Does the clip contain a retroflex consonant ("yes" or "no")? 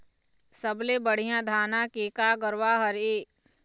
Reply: yes